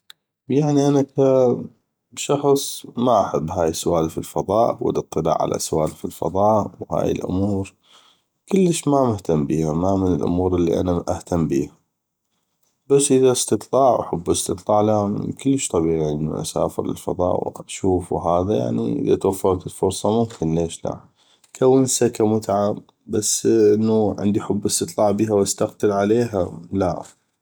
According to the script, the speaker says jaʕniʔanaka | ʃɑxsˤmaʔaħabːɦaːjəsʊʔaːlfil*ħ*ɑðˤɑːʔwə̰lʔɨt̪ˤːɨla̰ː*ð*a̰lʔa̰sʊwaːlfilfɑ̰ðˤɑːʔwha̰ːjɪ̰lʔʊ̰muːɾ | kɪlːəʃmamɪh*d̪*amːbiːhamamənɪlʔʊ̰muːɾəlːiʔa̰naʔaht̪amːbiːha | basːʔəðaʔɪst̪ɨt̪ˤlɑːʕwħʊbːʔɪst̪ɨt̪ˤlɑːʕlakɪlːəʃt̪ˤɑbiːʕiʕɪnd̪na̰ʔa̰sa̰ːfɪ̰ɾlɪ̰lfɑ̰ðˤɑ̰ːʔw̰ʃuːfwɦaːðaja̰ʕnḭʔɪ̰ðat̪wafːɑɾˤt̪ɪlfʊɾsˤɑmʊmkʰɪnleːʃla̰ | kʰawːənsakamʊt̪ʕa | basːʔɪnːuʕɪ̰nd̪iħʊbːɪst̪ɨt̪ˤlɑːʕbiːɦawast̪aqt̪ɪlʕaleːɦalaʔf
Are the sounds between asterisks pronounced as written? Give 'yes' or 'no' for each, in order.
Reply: no, no, no

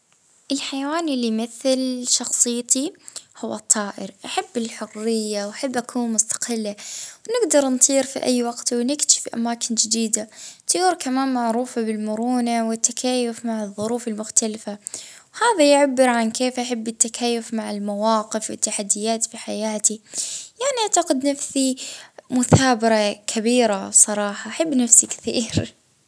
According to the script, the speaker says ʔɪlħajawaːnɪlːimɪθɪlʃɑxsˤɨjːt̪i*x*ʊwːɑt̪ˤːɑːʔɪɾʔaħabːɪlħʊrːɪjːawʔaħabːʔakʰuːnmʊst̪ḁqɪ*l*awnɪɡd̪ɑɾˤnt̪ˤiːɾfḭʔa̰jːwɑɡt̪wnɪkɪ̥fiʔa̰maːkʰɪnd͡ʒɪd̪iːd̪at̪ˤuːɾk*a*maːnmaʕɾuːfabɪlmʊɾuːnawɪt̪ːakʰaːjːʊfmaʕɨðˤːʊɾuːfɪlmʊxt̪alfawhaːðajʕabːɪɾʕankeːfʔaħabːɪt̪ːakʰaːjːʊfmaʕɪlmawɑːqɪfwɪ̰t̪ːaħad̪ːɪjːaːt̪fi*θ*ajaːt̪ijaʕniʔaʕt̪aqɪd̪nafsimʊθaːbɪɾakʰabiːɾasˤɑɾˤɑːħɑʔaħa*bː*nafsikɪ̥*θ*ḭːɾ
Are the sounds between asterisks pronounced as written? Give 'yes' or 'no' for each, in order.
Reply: no, no, yes, no, yes, yes

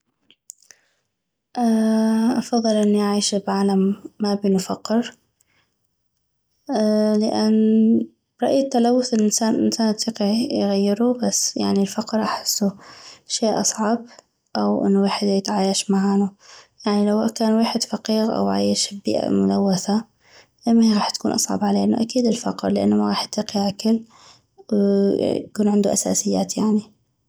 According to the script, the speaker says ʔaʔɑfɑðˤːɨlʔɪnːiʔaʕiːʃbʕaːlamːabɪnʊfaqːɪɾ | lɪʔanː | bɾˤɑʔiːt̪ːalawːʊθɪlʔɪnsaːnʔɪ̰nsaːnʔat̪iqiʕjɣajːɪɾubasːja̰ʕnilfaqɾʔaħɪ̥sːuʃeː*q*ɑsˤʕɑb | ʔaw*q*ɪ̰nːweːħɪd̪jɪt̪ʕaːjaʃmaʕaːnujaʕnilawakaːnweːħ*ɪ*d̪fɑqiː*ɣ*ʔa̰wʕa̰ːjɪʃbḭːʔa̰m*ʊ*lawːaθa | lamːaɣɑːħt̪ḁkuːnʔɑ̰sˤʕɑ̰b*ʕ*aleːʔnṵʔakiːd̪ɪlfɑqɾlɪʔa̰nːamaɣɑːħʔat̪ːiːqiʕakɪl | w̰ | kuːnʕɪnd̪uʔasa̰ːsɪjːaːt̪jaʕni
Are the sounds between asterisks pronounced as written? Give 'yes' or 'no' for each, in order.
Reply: no, no, yes, yes, yes, yes

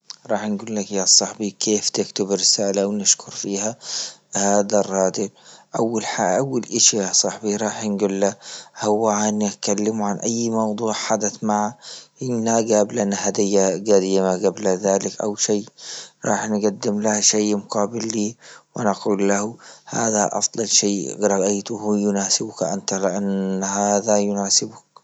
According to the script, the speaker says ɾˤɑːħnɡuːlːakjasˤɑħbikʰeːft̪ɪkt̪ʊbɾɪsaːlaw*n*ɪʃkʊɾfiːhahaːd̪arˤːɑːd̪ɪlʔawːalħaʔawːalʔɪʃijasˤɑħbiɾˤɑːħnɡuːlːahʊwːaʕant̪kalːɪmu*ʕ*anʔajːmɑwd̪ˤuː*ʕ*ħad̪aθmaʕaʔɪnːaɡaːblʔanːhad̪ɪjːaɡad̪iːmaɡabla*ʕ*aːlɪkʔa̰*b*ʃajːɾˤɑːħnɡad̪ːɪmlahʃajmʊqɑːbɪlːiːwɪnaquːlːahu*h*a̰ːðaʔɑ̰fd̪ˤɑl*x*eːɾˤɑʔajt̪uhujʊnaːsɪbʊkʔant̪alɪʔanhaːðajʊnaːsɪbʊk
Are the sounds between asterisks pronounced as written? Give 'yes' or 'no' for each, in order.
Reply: yes, yes, yes, no, no, yes, no

